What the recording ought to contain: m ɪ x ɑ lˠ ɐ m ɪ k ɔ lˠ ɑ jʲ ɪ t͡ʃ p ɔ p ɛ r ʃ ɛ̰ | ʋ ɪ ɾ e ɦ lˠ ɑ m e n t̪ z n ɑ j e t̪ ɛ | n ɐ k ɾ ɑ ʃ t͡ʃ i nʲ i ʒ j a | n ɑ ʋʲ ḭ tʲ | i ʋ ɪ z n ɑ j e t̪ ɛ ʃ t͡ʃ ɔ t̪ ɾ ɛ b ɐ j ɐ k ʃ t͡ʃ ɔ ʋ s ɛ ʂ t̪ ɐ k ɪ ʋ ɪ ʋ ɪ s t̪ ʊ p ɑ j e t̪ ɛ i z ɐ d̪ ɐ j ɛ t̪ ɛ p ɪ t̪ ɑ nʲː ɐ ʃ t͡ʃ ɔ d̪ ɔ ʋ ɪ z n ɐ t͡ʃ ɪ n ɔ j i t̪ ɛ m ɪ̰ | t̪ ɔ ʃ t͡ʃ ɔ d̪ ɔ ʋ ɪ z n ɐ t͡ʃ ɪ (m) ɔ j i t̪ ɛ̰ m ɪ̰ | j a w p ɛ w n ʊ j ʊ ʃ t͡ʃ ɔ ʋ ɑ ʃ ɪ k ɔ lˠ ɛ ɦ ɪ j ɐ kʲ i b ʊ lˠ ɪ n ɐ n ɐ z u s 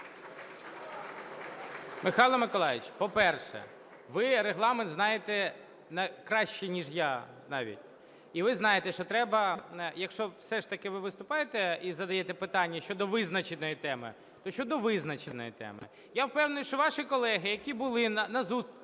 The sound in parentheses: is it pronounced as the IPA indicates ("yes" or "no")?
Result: no